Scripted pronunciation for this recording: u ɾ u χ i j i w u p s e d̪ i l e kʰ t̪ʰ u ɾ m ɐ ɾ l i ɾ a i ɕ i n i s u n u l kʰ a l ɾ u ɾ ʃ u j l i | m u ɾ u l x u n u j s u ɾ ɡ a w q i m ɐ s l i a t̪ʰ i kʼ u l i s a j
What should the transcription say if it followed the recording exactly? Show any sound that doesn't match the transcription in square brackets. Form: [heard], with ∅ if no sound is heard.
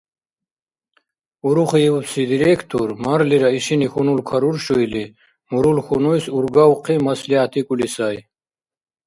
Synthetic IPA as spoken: u ɾ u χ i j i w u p s [i] d̪ i [ɾ] e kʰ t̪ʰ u ɾ m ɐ ɾ l i ɾ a i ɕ i n i [x] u n u l kʰ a [∅] ɾ u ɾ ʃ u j l i | m u ɾ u l x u n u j s u ɾ ɡ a w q i m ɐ s l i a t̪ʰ i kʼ u l i s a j